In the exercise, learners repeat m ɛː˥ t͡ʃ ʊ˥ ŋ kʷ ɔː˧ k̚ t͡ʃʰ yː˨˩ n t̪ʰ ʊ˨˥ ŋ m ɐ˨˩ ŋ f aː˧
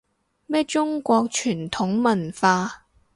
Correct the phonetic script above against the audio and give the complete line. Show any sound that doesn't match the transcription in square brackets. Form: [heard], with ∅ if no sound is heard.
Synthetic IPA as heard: m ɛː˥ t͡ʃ ʊ˥ ŋ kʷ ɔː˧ k̚ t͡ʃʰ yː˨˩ n t̪ʰ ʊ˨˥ ŋ m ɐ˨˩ [n] f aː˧